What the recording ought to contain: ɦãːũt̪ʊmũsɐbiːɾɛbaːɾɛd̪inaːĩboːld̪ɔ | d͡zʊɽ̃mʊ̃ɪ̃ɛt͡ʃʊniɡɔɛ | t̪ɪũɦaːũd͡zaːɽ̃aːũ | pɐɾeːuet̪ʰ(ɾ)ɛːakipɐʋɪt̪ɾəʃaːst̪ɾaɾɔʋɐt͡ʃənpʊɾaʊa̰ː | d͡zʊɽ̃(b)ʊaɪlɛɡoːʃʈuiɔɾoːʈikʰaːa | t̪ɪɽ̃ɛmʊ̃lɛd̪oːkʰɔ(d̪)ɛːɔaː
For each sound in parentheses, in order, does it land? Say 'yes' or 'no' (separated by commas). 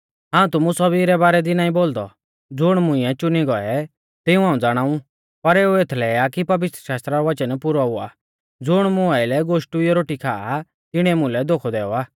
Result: no, no, yes